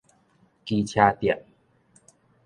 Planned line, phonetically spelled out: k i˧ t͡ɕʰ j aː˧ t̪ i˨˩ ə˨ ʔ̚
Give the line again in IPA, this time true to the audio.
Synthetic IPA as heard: k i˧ t͡ɕʰ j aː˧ t̪ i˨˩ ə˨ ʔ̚